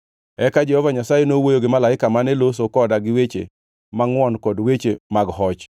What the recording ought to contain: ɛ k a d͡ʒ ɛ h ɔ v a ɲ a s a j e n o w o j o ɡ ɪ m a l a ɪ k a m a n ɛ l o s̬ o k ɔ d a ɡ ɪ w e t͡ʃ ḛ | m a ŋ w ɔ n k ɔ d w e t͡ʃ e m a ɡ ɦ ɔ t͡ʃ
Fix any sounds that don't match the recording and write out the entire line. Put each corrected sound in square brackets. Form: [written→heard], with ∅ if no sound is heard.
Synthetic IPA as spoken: ɛ k a d͡ʒ ɛ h ɔ v a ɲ a s a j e n o w o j o ɡ ɪ m a l a ɪ k a m a n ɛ l o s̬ o k ɔ d a ɡ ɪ w e t͡ʃ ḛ | m a ŋ w ɔ n k ɔ d w e t͡ʃ e m a ɡ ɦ ɔ t͡ʃ